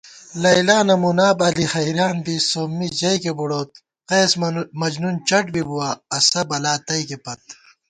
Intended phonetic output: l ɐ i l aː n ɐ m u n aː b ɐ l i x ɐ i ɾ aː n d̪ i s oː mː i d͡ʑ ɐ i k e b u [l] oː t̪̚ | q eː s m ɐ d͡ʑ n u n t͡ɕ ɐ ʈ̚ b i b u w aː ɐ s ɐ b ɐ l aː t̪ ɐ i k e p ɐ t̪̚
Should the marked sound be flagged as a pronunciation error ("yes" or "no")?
yes